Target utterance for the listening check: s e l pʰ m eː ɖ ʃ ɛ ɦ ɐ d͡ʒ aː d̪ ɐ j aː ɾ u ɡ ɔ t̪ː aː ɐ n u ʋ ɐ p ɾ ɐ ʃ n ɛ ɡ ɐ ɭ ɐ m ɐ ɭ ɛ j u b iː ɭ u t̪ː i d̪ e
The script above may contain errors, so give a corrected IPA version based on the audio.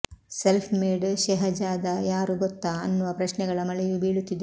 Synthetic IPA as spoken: s e l pʰ m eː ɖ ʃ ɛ ɦ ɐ d͡ʒ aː d̪ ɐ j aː ɾ u ɡ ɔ t̪ː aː ɐ nː u ʋ ɐ p ɾ ɐ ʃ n ɛ ɡ ɐ ɭ ɐ m ɐ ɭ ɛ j u b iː ɭ u t̪ː i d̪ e